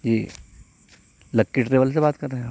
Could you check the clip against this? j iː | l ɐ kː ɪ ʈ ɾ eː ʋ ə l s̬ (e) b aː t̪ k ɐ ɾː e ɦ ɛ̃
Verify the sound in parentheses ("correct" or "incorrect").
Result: correct